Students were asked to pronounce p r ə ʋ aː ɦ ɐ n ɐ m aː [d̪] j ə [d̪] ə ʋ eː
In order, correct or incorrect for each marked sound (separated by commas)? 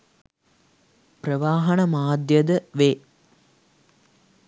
correct, correct